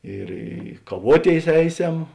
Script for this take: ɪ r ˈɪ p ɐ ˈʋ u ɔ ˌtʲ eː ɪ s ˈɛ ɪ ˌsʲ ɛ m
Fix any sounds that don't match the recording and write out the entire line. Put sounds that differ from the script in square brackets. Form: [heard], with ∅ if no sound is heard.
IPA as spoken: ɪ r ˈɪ [k] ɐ ˈʋ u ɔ ˌtʲ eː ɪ s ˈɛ ɪ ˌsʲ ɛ m

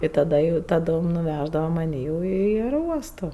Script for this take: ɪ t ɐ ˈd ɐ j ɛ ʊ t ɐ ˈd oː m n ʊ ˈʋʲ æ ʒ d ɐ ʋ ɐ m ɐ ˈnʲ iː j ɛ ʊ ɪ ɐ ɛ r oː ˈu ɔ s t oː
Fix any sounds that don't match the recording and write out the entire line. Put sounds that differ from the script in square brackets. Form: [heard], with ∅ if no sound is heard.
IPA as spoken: ɪ t ɐ ˈd ɐ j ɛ ʊ t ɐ ˈd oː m n ʊ ˈʋʲ æ ʒ d ɐ ʋ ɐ m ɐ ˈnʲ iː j ɛ ʊ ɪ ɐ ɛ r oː ˈu ɔ s t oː

